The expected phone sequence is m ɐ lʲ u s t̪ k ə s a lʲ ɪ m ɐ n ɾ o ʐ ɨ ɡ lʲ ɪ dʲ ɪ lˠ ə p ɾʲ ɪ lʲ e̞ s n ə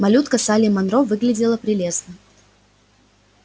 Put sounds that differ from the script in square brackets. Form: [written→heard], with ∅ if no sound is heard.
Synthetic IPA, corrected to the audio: m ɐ lʲ u [s→∅] t̪ k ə s a lʲ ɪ m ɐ n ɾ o [ʐ→v] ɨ ɡ lʲ ɪ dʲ ɪ lˠ ə p ɾʲ ɪ lʲ e̞ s n ə

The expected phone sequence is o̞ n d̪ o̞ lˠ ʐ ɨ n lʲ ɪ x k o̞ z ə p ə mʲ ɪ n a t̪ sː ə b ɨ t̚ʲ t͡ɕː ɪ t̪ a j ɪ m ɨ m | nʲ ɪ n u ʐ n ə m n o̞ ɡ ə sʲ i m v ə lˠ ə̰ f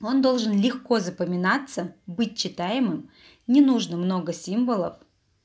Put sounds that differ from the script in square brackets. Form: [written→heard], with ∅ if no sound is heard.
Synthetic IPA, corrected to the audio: o̞ n d̪ o̞ lˠ ʐ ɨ n lʲ ɪ x k o̞ z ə p ə mʲ ɪ n a t̪ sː ə b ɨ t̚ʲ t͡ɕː ɪ t̪ a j ɪ m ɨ m | nʲ ɪ n u ʐ n ə m n o̞ ɡ ə sʲ i m v ə lˠ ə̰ f

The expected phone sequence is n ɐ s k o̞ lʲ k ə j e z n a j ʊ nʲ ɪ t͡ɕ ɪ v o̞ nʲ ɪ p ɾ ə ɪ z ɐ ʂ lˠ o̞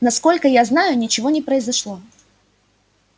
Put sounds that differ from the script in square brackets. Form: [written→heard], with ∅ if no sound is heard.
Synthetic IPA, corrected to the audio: n ɐ s k o̞ lʲ k ə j [e→a] z n a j ʊ nʲ ɪ t͡ɕ ɪ v o̞ nʲ ɪ p ɾ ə ɪ z ɐ ʂ lˠ o̞

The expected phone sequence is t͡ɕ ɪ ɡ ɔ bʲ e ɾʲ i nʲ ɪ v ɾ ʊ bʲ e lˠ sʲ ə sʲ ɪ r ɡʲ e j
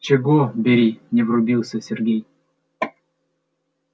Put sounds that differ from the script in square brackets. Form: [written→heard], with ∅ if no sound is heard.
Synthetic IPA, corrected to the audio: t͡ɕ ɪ ɡ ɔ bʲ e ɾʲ i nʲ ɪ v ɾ ʊ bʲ [e→i] lˠ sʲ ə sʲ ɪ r ɡʲ e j

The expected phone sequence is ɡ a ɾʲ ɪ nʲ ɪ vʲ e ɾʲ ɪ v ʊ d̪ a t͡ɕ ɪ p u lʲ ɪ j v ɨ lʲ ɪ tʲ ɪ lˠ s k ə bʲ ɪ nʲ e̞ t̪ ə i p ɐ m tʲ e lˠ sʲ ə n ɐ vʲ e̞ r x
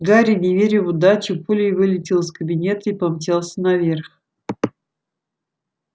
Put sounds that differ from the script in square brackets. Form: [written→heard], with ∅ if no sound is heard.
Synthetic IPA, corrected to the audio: ɡ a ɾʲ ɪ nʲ ɪ vʲ e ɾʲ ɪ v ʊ d̪ a t͡ɕ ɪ p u lʲ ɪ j v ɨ lʲ ɪ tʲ ɪ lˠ s k ə bʲ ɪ nʲ e̞ t̪ ə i p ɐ m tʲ e lˠ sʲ ə n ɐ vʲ e̞ r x

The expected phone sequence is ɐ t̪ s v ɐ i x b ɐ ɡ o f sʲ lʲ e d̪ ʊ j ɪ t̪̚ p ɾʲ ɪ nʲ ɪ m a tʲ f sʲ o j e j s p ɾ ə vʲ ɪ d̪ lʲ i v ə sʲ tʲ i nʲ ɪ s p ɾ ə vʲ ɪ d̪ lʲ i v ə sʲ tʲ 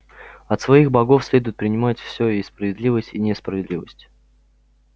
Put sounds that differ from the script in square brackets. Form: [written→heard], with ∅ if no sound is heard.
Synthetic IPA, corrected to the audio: ɐ t̪ s v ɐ i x b ɐ ɡ o f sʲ lʲ e d̪ ʊ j ɪ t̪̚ p ɾʲ ɪ nʲ ɪ m a tʲ f sʲ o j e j s p ɾ ə vʲ ɪ d̪ lʲ i v ə sʲ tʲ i nʲ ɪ s p ɾ ə vʲ ɪ d̪ lʲ i v ə sʲ tʲ

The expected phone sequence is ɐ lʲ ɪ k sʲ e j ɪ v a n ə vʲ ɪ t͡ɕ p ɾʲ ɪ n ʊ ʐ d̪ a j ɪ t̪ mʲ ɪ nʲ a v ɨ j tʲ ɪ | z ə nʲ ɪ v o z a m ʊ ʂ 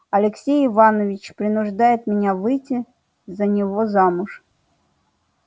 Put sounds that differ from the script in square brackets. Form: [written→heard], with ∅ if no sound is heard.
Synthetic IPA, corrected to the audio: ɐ lʲ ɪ k sʲ e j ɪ v a n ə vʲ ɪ t͡ɕ p ɾʲ ɪ n ʊ ʐ d̪ a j ɪ t̪ mʲ ɪ nʲ a v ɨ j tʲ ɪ | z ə nʲ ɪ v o z a m ʊ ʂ

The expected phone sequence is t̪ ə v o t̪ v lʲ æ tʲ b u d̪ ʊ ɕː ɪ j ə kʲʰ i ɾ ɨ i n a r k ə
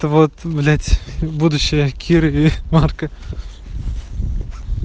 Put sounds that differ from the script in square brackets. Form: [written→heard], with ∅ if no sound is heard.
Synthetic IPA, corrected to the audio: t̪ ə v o t̪ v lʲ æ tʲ b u d̪ ʊ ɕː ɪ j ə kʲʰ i ɾ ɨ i [n→m] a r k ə

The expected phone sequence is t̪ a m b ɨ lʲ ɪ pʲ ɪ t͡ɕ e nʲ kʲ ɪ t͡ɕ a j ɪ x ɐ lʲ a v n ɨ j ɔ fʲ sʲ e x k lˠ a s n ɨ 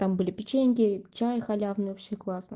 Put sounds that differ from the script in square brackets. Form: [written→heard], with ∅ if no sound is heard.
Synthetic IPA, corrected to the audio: t̪ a m b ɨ lʲ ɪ pʲ ɪ t͡ɕ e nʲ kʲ ɪ t͡ɕ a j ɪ x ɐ lʲ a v n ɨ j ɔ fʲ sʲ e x k lˠ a s n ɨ

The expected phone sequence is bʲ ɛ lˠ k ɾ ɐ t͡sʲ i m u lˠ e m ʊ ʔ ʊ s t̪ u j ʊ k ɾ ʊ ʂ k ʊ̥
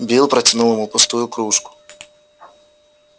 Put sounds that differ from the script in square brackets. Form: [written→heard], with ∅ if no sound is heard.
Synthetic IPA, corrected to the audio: bʲ [ɛ→i] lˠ [k→p] ɾ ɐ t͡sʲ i [m→n] u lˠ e m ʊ [ʔ→p] ʊ s t̪ u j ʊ k ɾ [ʊ→u] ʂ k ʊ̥

